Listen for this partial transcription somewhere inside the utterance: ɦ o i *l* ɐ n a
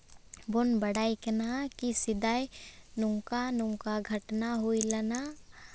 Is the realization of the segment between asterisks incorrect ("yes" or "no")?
no